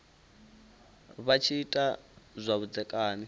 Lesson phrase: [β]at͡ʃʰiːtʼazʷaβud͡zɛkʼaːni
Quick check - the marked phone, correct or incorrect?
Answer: correct